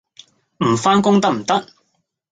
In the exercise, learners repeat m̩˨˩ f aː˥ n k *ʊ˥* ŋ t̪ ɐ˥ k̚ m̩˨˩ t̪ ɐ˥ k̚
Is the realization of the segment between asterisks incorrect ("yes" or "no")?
no